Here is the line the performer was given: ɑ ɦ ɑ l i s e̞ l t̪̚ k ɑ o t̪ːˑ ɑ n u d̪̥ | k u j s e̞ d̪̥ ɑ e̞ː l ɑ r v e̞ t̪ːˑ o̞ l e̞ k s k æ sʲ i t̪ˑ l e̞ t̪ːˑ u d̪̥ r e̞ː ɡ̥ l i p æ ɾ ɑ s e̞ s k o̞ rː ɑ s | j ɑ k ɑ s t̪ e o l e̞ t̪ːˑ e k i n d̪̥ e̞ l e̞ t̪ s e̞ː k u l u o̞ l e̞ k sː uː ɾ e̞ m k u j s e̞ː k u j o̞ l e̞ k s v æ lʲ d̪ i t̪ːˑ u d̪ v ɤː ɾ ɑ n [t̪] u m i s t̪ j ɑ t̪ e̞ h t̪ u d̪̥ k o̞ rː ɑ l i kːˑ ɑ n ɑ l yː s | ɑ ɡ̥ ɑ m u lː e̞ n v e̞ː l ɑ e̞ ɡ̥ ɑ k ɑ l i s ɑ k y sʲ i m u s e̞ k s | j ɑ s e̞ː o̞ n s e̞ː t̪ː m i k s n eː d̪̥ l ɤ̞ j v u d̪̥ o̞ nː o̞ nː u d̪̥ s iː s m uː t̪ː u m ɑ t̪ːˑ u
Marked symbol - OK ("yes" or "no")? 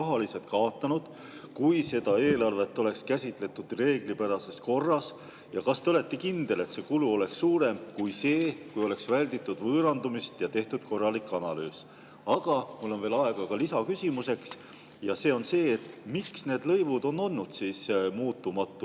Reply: no